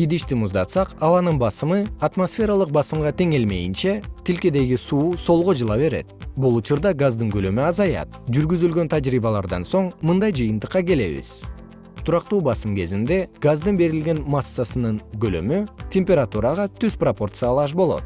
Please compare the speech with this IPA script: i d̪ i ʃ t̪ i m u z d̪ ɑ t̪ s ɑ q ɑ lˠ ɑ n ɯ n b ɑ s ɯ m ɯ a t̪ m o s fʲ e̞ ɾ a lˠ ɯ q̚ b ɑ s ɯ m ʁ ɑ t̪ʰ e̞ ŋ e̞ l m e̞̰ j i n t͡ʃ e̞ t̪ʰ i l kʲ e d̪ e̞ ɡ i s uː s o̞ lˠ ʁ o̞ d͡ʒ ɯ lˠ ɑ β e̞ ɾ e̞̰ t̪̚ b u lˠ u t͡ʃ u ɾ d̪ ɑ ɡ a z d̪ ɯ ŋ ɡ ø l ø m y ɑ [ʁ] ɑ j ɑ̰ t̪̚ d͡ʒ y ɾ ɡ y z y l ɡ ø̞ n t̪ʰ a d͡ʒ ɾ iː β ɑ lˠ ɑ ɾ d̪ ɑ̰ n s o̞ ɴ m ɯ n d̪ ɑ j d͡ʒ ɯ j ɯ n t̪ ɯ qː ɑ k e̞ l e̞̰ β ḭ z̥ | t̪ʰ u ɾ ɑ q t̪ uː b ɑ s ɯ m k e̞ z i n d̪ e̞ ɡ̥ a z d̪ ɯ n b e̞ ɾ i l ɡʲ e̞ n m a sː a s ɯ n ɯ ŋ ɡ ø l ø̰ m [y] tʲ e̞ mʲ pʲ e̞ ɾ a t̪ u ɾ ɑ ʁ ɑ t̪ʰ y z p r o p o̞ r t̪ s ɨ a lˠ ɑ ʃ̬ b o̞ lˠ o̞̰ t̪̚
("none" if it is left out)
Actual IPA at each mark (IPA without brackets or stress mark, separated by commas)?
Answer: z, y